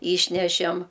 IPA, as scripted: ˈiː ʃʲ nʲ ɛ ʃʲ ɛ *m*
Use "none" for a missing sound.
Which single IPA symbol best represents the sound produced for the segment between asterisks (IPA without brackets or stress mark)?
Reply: m